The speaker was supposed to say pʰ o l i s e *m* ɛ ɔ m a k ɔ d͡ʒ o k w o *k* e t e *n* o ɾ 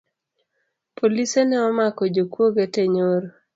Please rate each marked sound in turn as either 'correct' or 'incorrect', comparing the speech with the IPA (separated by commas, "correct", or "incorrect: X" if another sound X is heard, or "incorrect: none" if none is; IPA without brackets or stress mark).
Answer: incorrect: n, incorrect: ɡ, incorrect: ɲ